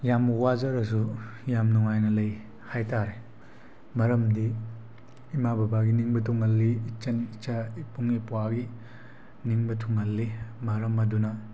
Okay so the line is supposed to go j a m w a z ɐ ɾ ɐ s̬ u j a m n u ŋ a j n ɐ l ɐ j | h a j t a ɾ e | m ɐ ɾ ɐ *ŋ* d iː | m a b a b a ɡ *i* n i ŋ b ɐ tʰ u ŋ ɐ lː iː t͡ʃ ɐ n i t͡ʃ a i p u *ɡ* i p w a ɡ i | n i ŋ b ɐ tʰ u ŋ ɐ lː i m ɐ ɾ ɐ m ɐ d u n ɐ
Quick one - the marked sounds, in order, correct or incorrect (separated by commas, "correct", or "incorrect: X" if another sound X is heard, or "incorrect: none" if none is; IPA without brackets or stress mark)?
incorrect: m, correct, incorrect: ŋ